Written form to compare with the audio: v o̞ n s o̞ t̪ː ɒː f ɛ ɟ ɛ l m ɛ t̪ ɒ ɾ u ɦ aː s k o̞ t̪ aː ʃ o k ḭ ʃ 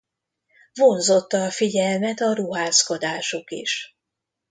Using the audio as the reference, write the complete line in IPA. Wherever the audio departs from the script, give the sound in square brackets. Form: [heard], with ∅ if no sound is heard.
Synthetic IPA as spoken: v o̞ n [z] o̞ t̪ː ɒː f [i] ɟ ɛ l m ɛ t̪ ɒ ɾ u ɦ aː s k o̞ [d̪] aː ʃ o k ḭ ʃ